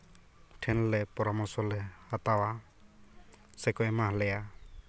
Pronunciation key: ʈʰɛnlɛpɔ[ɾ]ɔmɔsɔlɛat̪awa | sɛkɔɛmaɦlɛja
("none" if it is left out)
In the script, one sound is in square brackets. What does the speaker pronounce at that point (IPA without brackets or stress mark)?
ɾ